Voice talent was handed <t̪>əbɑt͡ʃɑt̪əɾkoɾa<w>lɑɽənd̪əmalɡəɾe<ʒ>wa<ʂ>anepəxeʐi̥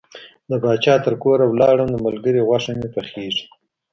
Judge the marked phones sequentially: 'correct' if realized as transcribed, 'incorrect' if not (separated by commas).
incorrect, correct, incorrect, correct